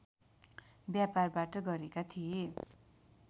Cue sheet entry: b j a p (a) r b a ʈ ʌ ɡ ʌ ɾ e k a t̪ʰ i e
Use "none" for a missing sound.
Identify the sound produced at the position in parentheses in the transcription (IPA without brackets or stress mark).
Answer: a